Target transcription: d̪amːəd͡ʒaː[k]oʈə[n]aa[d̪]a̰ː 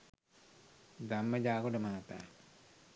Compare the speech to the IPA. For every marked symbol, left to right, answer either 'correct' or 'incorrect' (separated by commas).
correct, incorrect, incorrect